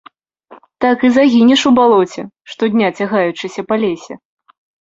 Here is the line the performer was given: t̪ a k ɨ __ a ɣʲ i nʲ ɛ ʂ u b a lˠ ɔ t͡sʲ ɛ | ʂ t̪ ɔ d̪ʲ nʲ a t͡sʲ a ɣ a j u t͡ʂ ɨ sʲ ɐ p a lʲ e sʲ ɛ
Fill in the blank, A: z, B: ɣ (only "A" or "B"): A